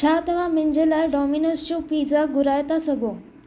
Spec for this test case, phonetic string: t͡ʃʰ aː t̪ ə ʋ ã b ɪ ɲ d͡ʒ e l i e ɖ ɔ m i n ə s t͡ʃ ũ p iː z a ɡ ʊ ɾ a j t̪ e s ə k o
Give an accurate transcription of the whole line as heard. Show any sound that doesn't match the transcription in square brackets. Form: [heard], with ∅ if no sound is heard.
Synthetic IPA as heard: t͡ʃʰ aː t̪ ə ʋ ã [m] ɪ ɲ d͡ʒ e l [a] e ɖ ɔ m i n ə s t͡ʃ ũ p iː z a ɡ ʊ ɾ a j t̪ [a] s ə [ɡ] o